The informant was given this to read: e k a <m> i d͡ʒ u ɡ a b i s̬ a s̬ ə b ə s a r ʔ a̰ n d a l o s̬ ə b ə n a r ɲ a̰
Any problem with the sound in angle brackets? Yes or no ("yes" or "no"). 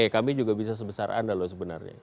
no